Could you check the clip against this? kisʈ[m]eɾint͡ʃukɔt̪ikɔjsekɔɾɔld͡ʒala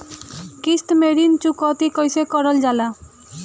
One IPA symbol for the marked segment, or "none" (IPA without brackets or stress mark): m